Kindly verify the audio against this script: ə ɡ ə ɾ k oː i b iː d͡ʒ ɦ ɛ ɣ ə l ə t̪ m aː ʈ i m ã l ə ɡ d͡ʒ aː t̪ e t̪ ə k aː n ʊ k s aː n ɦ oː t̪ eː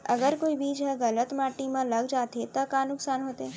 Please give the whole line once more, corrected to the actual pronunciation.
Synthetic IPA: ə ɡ ə ɾ k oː i b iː d͡ʒ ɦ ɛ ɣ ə l ə t̪ m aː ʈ i m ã l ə ɡ d͡ʒ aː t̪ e t̪ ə k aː n ʊ k s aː n ɦ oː t̪ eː